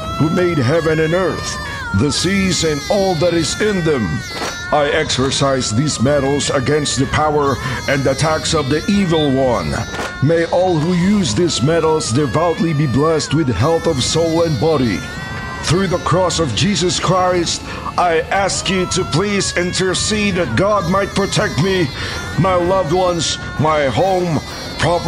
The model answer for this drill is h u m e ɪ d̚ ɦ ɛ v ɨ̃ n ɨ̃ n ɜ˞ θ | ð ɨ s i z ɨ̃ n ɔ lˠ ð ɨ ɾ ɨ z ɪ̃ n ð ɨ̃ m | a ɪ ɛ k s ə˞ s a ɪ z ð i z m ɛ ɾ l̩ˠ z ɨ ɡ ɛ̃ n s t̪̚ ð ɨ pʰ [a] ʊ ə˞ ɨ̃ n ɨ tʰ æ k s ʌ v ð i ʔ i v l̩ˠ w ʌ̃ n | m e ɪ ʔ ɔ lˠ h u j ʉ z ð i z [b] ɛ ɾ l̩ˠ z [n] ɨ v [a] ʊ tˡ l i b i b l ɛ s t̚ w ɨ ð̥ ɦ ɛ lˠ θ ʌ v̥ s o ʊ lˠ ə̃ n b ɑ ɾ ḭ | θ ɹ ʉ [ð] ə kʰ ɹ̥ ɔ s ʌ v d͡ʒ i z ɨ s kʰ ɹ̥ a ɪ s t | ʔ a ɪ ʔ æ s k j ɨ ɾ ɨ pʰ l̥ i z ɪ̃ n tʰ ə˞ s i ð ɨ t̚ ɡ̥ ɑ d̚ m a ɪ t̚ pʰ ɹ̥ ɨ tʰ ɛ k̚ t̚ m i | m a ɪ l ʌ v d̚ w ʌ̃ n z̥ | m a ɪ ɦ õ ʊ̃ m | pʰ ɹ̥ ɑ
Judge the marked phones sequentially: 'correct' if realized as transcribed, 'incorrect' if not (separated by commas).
correct, incorrect, incorrect, correct, correct